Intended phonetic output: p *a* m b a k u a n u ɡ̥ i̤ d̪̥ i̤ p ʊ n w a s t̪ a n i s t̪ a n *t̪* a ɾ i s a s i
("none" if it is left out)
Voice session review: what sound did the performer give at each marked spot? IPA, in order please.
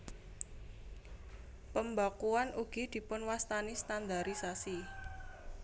ə, d̪

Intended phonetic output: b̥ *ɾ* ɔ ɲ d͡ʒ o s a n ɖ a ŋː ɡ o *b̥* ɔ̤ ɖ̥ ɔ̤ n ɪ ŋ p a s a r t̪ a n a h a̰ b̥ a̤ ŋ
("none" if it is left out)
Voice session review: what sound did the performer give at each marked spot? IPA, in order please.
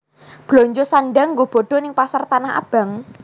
l, b̥

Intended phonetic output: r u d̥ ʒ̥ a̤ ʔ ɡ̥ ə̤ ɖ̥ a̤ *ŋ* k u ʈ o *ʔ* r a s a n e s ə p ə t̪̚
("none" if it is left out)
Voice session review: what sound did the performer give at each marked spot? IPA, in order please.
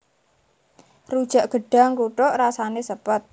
ŋ, ʔ

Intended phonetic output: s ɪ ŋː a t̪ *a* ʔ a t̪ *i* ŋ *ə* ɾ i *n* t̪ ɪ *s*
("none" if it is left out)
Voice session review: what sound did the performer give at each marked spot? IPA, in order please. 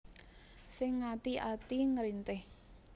i, i, ə, n, h

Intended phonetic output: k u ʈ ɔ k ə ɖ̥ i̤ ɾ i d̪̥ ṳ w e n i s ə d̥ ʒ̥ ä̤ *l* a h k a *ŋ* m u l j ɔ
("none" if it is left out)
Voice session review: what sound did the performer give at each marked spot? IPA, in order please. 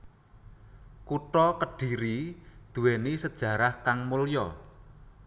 ɾ, ŋ

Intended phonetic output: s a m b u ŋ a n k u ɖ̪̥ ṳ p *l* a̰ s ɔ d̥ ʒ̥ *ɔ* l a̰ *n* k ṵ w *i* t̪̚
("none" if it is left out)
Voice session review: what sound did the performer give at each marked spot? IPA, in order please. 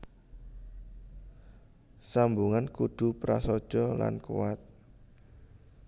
ɾ, ɔ, n, a

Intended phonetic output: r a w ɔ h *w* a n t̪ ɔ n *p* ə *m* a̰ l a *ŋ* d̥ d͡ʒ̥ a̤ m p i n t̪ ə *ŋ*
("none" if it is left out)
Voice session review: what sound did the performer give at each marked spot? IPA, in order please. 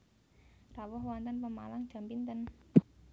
w, p, m, ŋ, n

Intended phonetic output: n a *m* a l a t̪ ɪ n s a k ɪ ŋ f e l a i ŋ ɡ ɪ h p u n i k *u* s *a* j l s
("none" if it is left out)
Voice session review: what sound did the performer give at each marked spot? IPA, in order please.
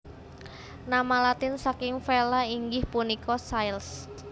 m, ɔ, a

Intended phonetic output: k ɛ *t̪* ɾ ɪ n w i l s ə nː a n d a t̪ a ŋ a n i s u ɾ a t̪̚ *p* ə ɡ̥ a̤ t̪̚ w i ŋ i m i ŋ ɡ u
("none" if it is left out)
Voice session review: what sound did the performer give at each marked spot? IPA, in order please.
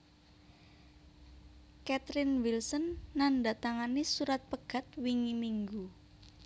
t̪, p

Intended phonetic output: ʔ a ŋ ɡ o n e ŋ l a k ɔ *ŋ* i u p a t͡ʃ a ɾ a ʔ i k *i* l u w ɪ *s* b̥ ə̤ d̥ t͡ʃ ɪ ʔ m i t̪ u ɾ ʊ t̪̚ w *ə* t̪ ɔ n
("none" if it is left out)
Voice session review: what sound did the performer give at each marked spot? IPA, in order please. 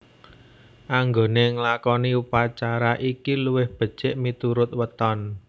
n, i, h, ə

